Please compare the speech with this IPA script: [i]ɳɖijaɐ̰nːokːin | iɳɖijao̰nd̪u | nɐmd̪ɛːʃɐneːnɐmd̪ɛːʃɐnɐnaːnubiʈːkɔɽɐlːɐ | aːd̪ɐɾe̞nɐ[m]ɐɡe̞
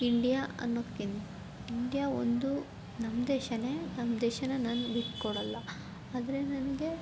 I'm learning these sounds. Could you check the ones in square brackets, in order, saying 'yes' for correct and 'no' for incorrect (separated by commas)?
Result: yes, no